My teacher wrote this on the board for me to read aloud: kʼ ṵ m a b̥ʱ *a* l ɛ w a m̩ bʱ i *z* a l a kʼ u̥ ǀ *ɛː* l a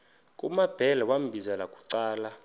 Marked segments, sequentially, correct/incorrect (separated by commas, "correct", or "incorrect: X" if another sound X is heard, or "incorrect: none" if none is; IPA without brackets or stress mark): incorrect: ɛ, correct, incorrect: aː